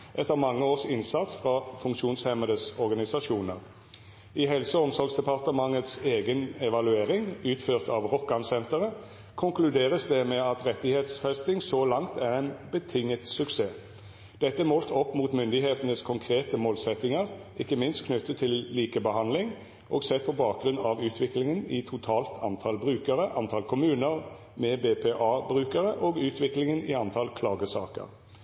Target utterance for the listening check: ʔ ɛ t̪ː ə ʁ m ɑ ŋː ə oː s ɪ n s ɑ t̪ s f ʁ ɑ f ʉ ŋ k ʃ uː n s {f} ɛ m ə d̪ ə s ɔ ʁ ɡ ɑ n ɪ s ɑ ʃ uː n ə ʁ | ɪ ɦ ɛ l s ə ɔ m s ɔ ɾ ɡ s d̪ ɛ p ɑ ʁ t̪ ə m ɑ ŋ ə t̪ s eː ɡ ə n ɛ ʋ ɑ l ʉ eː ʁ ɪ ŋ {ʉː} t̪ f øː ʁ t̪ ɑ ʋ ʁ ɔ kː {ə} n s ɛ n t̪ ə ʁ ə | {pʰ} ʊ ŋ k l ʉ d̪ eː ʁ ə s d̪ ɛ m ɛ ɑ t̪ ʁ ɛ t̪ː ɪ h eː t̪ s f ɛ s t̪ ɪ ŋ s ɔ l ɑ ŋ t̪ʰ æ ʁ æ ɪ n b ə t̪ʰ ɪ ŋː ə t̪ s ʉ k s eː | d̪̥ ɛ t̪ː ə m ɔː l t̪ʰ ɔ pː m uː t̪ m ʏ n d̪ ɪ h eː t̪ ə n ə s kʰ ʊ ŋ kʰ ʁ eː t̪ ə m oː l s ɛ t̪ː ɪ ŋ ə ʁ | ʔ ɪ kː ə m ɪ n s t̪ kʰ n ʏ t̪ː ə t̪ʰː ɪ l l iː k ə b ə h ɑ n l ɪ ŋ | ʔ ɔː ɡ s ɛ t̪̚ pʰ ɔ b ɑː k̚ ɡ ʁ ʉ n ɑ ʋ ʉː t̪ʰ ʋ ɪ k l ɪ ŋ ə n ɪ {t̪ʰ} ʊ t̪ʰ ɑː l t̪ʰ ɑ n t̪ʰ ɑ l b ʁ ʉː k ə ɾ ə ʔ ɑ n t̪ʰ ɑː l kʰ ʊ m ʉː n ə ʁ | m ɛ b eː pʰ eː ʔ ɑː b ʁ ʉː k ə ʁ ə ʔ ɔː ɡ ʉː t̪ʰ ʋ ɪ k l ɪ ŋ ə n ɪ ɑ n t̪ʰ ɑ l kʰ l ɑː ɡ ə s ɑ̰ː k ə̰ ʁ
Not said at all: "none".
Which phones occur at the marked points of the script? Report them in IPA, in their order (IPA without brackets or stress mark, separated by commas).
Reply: h, ʉː, ɑ, kʰ, t̪ʰ